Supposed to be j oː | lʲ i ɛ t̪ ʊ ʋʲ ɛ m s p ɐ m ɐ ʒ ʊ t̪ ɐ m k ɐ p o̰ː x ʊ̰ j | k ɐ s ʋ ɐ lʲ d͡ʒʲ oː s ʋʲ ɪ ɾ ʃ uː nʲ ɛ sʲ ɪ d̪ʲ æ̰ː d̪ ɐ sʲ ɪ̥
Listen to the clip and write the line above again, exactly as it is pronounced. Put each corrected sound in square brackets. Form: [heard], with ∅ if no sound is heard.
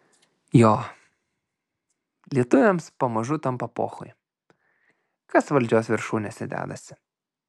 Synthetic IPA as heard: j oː | lʲ i ɛ t̪ ʊ ʋʲ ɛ m s p ɐ m ɐ ʒ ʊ t̪ ɐ m [p] ɐ p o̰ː x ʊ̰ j | k ɐ s ʋ ɐ lʲ d͡ʒʲ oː s ʋʲ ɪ ɾ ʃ uː nʲ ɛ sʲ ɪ d̪ʲ æ̰ː d̪ ɐ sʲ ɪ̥